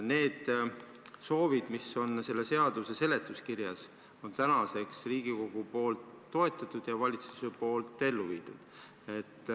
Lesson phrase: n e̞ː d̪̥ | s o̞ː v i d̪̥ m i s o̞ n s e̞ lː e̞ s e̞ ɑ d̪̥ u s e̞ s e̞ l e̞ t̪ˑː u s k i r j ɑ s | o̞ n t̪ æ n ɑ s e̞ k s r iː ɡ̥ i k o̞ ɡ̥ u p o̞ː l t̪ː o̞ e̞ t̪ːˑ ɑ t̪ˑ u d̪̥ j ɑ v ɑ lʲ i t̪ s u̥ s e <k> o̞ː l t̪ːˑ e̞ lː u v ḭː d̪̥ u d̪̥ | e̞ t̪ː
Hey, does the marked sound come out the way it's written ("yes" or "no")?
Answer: no